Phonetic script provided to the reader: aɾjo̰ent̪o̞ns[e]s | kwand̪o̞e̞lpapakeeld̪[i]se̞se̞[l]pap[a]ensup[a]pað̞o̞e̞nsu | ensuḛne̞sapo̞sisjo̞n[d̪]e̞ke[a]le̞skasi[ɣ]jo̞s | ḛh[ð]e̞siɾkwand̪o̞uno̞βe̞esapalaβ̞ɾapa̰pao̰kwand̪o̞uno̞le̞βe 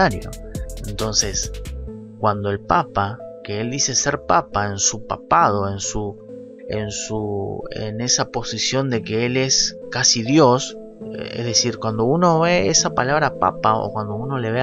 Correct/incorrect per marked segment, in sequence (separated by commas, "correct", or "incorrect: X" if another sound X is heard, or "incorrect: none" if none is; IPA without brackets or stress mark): correct, correct, incorrect: ɾ, correct, correct, correct, incorrect: e, incorrect: ð, correct